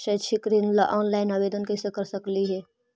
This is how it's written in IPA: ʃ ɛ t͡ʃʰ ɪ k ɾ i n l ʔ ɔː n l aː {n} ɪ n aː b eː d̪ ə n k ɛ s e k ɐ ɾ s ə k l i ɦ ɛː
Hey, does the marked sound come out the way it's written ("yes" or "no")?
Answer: no